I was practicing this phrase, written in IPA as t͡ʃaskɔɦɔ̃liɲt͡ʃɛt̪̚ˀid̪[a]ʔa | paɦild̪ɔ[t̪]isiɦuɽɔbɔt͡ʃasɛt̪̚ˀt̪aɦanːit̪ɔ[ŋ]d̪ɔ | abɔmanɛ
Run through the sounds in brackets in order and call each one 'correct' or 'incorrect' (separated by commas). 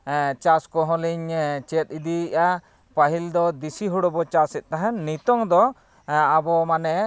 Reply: incorrect, incorrect, correct